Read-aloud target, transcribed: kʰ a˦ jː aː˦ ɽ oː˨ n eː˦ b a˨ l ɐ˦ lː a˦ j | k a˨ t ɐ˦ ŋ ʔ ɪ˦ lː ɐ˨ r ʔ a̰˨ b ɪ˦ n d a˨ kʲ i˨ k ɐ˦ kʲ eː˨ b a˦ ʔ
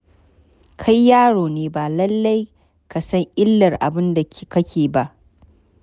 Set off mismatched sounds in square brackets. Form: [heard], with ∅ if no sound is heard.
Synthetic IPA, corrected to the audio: kʰ a˦ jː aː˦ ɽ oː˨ n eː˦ b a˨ l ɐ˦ lː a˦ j | k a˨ [s] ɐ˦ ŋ ʔ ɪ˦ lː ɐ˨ r ʔ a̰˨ b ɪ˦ n d a˨ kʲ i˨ k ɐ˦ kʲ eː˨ b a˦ ʔ